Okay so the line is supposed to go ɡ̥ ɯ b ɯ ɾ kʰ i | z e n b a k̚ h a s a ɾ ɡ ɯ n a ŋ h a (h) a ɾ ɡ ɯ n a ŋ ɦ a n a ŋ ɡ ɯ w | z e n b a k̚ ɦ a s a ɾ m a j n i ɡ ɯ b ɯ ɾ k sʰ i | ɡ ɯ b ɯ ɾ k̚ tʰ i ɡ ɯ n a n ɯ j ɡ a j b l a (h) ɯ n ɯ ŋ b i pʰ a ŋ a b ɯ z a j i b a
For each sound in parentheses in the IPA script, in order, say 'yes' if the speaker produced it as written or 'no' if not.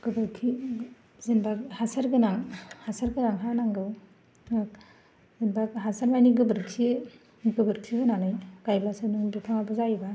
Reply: no, no

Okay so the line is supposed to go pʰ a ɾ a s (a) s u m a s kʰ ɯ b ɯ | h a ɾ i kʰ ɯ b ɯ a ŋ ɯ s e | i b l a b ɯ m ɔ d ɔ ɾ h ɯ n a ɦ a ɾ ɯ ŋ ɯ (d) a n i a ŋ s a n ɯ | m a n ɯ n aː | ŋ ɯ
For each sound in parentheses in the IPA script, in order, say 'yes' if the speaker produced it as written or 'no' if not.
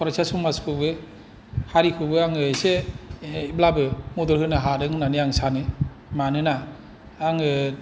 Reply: yes, no

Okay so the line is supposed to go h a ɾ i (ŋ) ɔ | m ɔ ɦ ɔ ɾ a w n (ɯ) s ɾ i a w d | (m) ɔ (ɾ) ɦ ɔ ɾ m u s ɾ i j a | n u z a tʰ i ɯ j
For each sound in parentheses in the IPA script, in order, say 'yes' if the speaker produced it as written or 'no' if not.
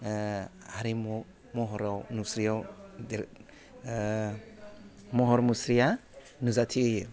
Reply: no, no, yes, no

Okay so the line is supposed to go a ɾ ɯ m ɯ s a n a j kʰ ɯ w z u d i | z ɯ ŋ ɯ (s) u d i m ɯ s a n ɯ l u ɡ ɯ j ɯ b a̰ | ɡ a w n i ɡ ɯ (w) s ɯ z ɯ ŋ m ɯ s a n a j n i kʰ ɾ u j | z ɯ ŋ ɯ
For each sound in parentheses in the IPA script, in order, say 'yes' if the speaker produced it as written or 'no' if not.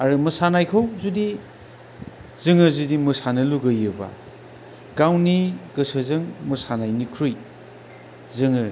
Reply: no, no

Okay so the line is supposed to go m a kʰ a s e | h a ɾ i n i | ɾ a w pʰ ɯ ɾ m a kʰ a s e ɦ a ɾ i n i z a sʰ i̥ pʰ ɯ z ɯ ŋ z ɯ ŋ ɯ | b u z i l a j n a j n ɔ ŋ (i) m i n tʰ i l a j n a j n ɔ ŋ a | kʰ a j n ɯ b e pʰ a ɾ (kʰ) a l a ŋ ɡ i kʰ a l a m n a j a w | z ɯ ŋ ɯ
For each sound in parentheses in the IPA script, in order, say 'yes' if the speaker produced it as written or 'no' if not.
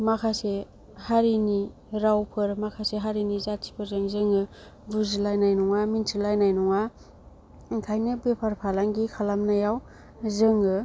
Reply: no, no

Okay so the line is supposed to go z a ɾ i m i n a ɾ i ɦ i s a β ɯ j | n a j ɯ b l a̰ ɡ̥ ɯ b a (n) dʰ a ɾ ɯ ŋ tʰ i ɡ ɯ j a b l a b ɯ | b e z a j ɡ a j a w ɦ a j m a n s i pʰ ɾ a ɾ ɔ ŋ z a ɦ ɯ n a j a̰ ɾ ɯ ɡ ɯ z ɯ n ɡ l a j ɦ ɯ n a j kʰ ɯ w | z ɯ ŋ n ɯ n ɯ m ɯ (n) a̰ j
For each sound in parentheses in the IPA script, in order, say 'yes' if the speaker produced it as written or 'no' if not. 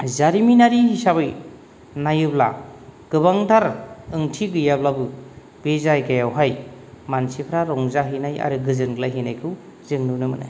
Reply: no, yes

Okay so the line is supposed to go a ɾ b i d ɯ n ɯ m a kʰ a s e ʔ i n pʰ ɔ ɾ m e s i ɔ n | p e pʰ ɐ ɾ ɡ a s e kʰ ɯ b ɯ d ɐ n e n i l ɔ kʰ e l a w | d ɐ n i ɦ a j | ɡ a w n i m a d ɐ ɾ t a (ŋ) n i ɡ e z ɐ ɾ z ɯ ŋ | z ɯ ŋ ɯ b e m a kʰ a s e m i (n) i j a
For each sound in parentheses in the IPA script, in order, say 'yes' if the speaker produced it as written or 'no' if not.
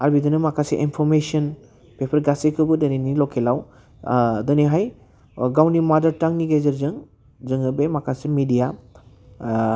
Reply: yes, no

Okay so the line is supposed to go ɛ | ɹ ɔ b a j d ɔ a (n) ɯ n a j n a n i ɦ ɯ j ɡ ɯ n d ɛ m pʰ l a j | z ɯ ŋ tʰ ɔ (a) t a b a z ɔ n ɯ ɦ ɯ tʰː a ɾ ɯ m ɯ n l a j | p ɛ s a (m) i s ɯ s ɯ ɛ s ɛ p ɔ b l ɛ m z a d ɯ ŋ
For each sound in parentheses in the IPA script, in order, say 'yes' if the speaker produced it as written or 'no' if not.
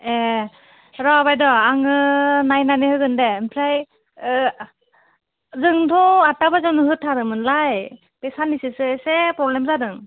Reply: no, yes, no

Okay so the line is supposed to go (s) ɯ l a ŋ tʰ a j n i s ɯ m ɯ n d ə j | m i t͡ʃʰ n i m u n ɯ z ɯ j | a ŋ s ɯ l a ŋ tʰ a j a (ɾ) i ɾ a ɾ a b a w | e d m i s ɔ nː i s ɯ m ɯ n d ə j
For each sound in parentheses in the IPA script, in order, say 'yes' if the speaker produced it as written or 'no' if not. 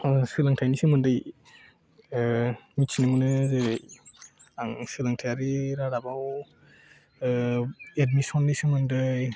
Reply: yes, yes

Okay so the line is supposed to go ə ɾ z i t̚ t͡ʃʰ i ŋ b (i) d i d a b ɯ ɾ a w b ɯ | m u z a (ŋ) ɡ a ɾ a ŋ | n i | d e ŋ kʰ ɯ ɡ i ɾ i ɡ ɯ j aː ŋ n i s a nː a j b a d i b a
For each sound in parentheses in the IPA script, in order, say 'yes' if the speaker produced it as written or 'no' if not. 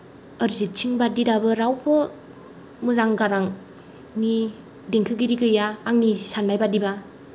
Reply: no, yes

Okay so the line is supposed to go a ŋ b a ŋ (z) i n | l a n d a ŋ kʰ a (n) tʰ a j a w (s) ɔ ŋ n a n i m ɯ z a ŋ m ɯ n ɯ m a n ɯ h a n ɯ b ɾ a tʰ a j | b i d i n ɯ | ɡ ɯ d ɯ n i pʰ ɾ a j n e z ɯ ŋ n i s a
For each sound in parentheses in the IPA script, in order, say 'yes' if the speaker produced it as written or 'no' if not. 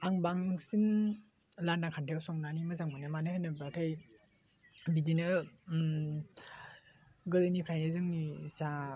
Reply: no, yes, yes

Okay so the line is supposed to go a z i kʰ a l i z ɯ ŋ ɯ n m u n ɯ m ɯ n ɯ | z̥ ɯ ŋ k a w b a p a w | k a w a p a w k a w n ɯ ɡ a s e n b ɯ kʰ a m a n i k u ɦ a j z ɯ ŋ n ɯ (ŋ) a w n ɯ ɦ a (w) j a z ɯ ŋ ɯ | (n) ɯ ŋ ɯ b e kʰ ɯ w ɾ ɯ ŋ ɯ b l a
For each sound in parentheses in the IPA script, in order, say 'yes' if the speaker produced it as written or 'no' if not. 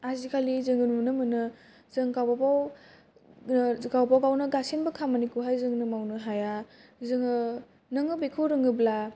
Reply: no, no, yes

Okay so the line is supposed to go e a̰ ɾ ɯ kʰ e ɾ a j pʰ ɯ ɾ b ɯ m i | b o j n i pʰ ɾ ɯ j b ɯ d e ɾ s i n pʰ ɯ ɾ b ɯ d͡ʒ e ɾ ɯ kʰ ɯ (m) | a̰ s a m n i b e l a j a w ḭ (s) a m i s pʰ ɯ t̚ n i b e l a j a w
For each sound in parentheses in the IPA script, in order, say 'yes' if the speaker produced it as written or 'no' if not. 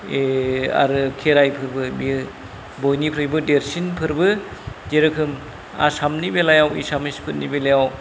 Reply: yes, yes

